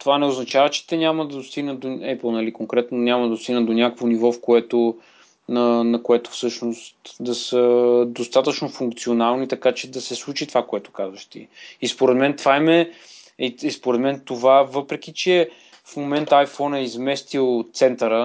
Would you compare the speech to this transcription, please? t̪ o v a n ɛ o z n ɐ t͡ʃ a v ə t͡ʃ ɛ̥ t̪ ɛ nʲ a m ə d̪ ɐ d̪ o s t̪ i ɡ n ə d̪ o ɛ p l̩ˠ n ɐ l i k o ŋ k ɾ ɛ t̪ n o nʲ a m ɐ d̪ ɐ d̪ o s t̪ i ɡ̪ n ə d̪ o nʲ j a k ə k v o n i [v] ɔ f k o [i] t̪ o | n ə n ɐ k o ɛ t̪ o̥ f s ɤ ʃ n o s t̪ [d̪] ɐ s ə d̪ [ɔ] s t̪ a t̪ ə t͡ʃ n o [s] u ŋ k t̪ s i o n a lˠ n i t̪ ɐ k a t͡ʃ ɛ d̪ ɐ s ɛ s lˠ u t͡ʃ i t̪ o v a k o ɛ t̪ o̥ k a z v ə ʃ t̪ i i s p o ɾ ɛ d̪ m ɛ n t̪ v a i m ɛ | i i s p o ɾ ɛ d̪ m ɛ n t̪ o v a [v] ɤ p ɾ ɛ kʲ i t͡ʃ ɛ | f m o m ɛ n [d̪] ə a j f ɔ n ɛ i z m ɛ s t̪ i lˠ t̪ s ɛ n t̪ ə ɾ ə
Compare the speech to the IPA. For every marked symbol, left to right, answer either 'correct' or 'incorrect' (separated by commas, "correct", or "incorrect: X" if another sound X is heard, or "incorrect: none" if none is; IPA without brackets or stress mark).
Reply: correct, incorrect: ɛ, correct, incorrect: o, incorrect: f, correct, incorrect: t̪